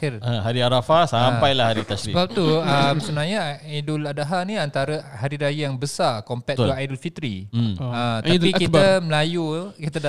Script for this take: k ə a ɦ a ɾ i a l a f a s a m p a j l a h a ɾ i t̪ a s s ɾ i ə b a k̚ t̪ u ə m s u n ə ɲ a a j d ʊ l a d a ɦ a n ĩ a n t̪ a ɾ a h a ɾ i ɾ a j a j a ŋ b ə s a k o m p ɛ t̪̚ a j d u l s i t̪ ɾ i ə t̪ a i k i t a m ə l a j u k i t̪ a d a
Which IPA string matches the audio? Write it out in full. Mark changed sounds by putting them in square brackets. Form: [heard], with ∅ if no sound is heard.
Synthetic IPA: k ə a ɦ a ɾ i a [ɾ] a f a s a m p a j l a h a ɾ i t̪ a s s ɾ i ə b a [p̚] t̪ u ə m s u n [a] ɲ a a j d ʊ l a d a ɦ a n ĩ a n t̪ a ɾ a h a ɾ i ɾ a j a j a ŋ b ə s a k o m p ɛ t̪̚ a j d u l [f] i t̪ ɾ i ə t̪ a i k i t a m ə l a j u k i t̪ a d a